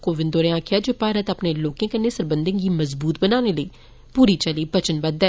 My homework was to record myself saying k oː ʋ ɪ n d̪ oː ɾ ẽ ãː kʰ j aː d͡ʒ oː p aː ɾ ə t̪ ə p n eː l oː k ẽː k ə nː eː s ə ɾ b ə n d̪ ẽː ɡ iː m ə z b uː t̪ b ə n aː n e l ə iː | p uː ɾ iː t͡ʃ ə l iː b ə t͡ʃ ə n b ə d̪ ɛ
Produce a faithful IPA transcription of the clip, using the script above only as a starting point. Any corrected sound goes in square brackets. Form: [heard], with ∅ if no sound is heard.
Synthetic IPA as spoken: k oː ʋ ɪ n d̪ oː ɾ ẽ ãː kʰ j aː d͡ʒ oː p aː ɾ ə t̪ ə p n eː l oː k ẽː k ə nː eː s ə ɾ b ə n d̪ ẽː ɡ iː m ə z b uː t̪ b ə n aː n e l ə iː | p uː ɾ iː t͡ʃ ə l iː b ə t͡ʃ ə n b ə d̪ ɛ

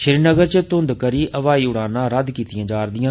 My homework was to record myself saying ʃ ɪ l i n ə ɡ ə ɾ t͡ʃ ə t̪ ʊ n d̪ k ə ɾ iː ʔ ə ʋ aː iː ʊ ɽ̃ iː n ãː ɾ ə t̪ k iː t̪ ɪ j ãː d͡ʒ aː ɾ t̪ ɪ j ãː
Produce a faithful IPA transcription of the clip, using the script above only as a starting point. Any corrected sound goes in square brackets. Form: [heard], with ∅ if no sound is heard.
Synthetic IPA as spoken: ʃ ɪ [ɾ] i n ə ɡ ə ɾ t͡ʃ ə t̪ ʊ n d̪ k ə ɾ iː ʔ ə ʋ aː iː ʊ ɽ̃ [aː] n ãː ɾ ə [d̪] k iː t̪ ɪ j ãː d͡ʒ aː ɾ [d̪] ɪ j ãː

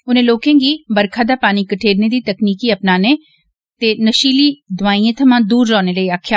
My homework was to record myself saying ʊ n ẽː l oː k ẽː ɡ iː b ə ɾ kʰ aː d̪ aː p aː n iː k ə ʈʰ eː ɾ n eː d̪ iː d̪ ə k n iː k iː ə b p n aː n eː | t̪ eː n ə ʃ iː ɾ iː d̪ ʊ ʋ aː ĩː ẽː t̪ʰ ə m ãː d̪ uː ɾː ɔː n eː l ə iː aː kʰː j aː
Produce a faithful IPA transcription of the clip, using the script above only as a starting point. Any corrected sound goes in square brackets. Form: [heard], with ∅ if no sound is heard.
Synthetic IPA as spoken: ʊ n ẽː l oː k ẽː ɡ iː b ə ɾ kʰ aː d̪ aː p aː n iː k ə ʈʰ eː ɾ n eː d̪ iː [t̪] ə k n iː k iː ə [∅] p n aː n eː | t̪ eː n ə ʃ iː [l] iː d̪ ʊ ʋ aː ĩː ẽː t̪ʰ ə m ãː d̪ uː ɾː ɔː n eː l ə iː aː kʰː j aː

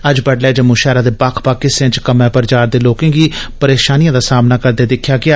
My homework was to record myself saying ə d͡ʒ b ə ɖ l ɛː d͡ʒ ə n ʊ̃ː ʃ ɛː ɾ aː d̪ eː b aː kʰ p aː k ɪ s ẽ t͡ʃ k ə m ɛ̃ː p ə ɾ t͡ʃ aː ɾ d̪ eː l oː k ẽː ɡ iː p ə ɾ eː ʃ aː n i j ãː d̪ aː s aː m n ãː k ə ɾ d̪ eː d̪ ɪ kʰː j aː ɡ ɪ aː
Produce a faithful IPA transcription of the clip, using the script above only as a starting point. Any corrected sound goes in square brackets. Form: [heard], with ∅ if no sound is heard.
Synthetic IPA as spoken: ə d͡ʒ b ə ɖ l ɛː d͡ʒ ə [m] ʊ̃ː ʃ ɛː ɾ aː d̪ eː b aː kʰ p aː k ɪ s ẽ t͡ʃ k ə m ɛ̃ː p ə ɾ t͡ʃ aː ɾ d̪ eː l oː k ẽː ɡ iː p ə ɾ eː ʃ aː n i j ãː d̪ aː s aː m n [aː] k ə ɾ d̪ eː d̪ ɪ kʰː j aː ɡ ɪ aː

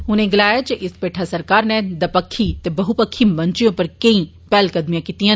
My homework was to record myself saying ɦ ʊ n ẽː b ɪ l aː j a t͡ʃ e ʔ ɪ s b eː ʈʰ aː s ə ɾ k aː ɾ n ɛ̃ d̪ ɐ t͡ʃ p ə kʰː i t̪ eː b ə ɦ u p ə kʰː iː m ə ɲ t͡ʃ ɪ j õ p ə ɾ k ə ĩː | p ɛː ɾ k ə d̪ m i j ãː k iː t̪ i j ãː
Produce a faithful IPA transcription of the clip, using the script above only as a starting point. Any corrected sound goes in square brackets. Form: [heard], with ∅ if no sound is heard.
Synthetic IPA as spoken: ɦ ʊ n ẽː [ɡ] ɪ l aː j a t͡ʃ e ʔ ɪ s [p] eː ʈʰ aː s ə ɾ k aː ɾ n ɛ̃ d̪ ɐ [∅] p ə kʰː i t̪ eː b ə ɦ u p ə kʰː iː m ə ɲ t͡ʃ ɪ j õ p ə ɾ k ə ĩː | p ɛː [l] k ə d̪ m i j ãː k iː t̪ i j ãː

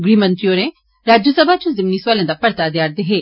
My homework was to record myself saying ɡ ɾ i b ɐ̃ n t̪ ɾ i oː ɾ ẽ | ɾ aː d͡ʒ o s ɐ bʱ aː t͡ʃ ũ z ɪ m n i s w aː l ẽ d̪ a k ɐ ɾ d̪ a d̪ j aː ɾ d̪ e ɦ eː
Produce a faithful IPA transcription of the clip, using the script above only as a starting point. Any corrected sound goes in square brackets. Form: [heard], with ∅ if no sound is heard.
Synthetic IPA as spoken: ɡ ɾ i [m] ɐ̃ n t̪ ɾ i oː ɾ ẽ | ɾ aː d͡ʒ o s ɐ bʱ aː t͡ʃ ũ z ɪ m n i s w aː l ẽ d̪ a [p] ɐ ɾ [t̪] a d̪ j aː ɾ d̪ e ɦ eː

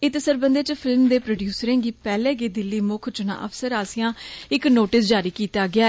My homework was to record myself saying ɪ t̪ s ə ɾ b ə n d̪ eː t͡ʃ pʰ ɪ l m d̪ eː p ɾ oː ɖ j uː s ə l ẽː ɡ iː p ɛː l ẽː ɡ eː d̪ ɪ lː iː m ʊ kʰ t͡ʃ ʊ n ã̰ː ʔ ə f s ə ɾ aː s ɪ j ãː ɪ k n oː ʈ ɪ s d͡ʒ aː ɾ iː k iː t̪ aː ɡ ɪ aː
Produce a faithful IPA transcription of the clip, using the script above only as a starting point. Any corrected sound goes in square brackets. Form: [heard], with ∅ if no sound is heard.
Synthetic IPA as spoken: ɪ t̪ s ə ɾ b ə n d̪ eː t͡ʃ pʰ ɪ l m d̪ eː p ɾ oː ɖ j uː s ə [ɾ] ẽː ɡ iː p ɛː l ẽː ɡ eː d̪ ɪ lː iː m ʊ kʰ t͡ʃ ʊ n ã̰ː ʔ ə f s ə ɾ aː s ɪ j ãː ɪ k n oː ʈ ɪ s d͡ʒ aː ɾ iː k iː t̪ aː ɡ ɪ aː

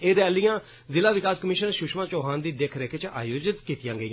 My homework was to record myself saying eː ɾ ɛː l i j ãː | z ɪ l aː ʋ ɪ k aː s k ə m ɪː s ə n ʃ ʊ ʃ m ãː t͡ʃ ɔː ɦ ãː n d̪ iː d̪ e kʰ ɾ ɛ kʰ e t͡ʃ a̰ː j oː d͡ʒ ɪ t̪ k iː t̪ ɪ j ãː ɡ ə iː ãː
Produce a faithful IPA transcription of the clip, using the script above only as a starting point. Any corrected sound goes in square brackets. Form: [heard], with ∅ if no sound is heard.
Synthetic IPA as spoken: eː ɾ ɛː l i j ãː | z ɪ l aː ʋ ɪ k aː s k ə m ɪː [ʃ] ə n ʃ ʊ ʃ m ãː t͡ʃ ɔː ɦ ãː n d̪ iː d̪ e kʰ ɾ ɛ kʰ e t͡ʃ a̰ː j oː d͡ʒ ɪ t̪ k iː t̪ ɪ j ãː ɡ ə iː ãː

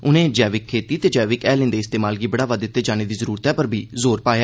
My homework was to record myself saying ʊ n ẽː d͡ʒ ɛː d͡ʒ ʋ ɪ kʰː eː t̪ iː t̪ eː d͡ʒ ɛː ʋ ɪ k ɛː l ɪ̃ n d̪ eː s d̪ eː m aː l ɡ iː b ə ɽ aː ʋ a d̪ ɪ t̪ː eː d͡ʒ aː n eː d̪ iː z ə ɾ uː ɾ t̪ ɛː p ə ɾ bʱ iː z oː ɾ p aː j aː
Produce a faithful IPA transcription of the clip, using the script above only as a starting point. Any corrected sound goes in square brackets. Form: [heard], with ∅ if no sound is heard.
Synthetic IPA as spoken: ʊ n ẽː d͡ʒ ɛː [∅] ʋ ɪ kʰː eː t̪ iː t̪ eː d͡ʒ ɛː ʋ ɪ k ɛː l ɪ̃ n d̪ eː s [t̪] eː m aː l ɡ iː b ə ɽ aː ʋ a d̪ ɪ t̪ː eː d͡ʒ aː n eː d̪ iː z ə ɾ uː ɾ t̪ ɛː p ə ɾ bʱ iː z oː ɾ p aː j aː

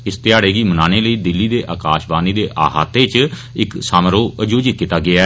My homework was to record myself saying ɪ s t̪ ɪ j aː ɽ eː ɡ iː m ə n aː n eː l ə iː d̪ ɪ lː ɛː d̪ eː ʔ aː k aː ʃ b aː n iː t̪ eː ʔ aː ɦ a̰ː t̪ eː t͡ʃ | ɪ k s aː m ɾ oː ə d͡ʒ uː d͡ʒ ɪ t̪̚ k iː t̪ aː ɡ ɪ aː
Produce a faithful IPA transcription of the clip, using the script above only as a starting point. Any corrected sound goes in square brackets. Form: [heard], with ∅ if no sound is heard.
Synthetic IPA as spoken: ɪ s t̪ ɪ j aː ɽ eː ɡ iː m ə n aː n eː l ə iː d̪ ɪ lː [iː] d̪ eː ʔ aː k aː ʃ b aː n iː [d̪] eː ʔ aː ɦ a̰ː t̪ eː t͡ʃ | ɪ k s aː m ɾ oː ə d͡ʒ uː d͡ʒ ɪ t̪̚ k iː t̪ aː ɡ ɪ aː

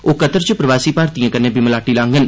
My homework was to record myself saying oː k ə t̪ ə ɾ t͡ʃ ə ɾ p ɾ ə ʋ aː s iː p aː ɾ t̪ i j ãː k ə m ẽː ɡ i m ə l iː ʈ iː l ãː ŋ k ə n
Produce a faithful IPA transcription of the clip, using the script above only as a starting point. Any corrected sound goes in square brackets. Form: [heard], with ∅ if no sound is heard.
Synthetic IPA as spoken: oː k ə t̪ ə ɾ t͡ʃ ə [∅] p ɾ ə ʋ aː s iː p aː ɾ t̪ i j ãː k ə [n] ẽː [b] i m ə l [aː] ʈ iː l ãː ŋ [ɡ] ə n

